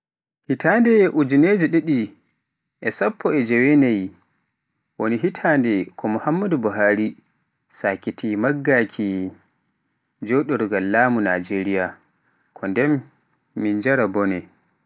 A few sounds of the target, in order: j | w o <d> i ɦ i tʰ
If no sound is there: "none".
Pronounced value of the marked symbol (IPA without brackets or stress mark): n